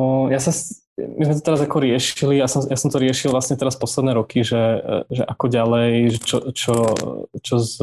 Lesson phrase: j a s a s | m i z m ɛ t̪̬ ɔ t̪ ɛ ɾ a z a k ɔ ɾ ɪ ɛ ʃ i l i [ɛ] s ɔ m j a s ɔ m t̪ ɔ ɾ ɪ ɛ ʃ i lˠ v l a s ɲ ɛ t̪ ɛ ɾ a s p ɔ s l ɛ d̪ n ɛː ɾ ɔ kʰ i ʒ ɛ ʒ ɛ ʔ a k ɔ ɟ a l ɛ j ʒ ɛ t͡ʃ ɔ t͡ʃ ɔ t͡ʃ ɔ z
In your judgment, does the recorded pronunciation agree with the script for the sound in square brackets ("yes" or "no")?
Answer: no